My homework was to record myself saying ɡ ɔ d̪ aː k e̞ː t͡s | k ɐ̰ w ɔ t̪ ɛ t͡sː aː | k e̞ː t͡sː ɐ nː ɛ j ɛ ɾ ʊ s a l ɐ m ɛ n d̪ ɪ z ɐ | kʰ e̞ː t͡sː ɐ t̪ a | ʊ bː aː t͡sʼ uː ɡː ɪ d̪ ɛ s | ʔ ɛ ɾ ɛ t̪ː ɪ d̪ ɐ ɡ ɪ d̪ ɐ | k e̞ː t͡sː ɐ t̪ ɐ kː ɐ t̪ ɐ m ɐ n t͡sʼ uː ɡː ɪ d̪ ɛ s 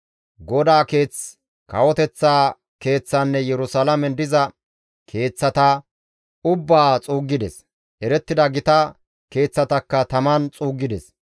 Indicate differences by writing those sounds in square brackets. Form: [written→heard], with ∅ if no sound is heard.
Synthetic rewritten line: ɡ ɔ d̪ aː k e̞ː t͡s | k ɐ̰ w ɔ t̪ ɛ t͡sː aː | k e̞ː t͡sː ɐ nː ɛ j ɛ ɾ ʊ s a l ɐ m ɛ n d̪ ɪ z ɐ | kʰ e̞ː t͡sː ɐ t̪ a | ʊ bː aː t͡sʼ uː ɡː ɪ d̪ ɛ s | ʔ ɛ ɾ ɛ t̪ː ɪ d̪ ɐ ɡ ɪ [d̪→t̪] ɐ | k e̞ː t͡sː ɐ t̪ ɐ kː ɐ t̪ ɐ m ɐ n t͡sʼ uː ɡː ɪ d̪ ɛ s